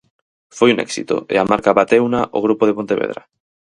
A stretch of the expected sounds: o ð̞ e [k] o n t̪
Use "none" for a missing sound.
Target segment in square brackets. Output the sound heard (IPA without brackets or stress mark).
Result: p